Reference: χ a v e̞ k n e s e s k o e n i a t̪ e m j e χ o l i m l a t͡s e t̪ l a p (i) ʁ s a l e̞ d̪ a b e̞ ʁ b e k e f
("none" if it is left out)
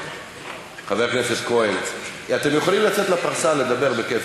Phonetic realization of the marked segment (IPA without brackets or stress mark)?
a